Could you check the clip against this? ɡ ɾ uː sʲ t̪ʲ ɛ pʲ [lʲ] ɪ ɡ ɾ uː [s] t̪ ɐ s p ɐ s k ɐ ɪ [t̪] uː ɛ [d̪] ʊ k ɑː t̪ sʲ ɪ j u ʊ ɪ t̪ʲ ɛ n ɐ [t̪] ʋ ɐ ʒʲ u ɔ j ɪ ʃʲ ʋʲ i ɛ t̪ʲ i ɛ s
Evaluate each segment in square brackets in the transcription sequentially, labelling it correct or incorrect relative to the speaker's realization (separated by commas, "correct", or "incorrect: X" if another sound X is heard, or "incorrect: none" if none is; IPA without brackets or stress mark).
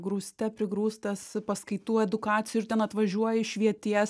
incorrect: ɾʲ, correct, correct, correct, correct